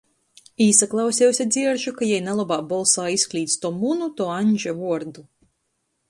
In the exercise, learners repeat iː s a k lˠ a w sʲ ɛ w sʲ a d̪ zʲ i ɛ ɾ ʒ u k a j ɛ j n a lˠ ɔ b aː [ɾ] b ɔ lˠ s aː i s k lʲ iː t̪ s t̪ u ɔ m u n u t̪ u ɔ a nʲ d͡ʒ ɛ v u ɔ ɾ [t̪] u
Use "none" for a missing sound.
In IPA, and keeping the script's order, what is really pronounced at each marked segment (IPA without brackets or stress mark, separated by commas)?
none, d̪